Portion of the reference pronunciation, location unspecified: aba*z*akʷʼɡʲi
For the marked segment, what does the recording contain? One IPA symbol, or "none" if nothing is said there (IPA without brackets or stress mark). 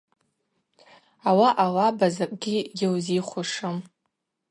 z